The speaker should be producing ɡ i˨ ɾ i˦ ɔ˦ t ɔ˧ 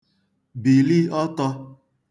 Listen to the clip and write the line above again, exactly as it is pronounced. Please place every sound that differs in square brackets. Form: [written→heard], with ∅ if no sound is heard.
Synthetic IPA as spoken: [ɡ→b] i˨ [ɾ→l] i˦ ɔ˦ t ɔ˧